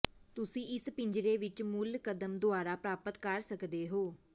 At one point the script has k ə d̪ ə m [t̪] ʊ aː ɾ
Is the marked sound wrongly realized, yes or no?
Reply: yes